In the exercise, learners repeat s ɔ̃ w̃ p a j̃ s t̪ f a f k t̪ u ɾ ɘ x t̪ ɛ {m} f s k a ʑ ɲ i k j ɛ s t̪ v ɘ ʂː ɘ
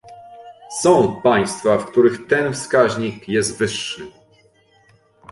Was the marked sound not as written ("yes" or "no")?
yes